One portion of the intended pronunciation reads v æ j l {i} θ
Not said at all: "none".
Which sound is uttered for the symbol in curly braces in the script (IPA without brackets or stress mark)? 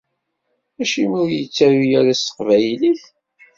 i